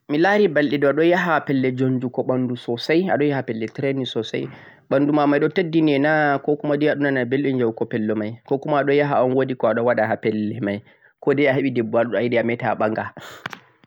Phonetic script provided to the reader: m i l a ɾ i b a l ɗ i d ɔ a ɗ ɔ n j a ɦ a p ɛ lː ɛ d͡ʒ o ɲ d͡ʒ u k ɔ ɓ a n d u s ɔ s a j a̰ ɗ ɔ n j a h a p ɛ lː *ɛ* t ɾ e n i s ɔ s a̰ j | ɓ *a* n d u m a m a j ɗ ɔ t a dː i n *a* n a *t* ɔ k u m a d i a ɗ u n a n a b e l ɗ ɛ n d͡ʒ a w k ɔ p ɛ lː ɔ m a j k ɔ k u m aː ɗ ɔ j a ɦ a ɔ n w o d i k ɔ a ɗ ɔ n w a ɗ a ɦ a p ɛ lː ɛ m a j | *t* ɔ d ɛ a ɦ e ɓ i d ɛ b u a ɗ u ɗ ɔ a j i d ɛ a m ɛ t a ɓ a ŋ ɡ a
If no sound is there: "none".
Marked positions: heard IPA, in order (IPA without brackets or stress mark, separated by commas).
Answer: ɛ, a, ɛ, k, k